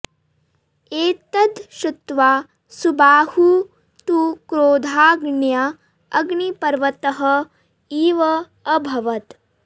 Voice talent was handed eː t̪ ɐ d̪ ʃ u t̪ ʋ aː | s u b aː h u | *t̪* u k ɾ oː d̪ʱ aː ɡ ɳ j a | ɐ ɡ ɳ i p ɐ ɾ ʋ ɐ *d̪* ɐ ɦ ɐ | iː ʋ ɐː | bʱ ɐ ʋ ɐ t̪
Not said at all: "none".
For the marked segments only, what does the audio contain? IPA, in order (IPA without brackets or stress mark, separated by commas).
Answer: t̪, t̪